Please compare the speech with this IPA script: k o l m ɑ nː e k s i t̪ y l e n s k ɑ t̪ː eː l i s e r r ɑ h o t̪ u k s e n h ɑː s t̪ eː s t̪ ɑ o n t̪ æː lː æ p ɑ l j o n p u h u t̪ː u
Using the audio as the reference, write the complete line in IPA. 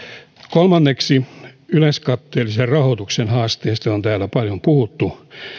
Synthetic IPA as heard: k o l m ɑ nː e k s i y l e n s k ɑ t̪ː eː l i s e r r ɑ h o t̪ u k s e n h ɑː s t̪ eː s t̪ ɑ o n t̪ æː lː æ p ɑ l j o m p u h u t̪ː u